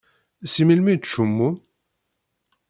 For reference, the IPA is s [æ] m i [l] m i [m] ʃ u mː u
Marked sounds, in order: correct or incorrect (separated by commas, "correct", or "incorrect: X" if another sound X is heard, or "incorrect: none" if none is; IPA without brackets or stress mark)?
incorrect: i, correct, incorrect: none